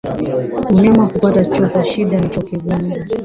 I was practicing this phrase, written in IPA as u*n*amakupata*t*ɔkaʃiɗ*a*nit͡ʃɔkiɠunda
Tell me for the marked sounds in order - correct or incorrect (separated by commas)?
incorrect, incorrect, correct